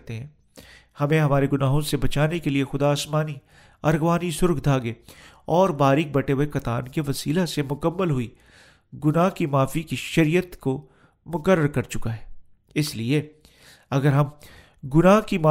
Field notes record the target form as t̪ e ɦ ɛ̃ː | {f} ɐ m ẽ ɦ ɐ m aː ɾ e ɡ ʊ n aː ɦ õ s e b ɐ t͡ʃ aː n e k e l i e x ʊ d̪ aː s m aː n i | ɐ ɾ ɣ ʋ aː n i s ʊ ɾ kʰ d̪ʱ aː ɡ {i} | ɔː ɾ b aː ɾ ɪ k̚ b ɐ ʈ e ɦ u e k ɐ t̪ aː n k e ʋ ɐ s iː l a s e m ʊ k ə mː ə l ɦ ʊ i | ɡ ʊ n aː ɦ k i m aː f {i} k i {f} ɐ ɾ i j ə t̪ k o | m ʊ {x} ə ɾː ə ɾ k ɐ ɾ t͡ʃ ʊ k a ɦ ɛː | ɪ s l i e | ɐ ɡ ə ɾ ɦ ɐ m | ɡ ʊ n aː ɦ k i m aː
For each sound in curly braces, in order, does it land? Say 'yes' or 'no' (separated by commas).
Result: no, no, yes, no, no